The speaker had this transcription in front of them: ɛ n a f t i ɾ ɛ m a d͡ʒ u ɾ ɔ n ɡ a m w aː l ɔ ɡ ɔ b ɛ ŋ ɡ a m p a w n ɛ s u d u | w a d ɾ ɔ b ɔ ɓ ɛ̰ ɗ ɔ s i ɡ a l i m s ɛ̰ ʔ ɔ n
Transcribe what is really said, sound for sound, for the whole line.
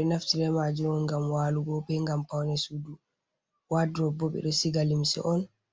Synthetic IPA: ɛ n a f t i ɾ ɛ m a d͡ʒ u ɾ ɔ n ɡ a m w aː l u ɡ ɔ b ɛ ŋ ɡ a m p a w n ɛ s u d u | w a d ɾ ɔ b ɔ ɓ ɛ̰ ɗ ɔ s i ɡ a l i m s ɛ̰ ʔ ɔ n